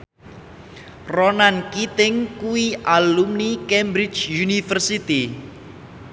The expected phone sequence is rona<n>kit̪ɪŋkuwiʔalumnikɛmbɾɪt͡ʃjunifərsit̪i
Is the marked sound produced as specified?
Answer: yes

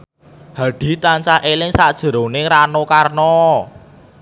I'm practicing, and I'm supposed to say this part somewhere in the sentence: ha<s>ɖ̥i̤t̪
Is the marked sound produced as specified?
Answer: no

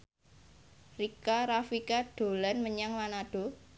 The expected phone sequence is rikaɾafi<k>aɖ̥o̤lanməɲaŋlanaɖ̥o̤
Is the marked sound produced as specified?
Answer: yes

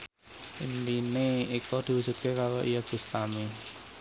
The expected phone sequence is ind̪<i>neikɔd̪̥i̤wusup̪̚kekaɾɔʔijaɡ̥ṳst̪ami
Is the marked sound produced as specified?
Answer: yes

